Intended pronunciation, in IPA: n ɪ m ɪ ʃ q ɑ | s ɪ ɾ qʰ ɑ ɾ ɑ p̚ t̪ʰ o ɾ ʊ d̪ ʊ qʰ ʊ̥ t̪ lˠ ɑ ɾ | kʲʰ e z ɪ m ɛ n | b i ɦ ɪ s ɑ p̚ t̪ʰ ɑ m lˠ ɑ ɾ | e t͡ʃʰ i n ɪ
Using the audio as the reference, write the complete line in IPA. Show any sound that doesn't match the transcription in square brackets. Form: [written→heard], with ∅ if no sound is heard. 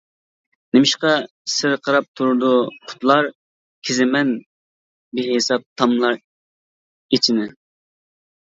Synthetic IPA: n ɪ m ɪ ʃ q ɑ | s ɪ ɾ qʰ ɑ ɾ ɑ p̚ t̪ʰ [o→u] ɾ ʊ d̪ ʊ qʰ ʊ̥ t̪ lˠ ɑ ɾ | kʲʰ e z ɪ m ɛ n | b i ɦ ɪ s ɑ p̚ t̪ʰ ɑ m lˠ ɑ ɾ | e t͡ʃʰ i n ɪ